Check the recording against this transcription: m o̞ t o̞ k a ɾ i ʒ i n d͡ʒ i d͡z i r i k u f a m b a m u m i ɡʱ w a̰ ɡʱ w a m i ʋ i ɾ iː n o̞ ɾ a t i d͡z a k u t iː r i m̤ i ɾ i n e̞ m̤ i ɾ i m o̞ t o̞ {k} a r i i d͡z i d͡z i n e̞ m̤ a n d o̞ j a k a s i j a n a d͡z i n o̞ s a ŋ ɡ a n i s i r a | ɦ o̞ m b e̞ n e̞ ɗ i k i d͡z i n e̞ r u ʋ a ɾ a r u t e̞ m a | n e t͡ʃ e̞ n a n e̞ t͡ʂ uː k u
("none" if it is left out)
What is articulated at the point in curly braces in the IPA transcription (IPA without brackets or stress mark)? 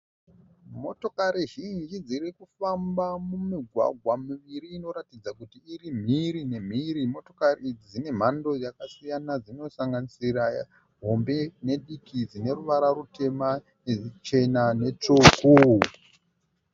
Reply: k